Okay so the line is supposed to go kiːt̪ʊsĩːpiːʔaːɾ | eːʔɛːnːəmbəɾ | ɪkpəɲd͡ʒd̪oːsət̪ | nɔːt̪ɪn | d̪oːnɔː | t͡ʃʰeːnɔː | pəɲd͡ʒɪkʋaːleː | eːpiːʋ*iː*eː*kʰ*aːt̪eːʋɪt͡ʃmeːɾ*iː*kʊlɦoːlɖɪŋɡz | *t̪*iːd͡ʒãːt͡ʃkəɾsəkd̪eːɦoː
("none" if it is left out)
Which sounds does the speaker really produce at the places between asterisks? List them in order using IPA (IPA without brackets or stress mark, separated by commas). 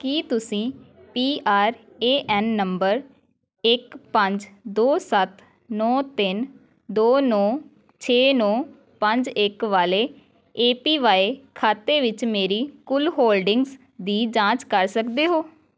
aː, kʰ, iː, d̪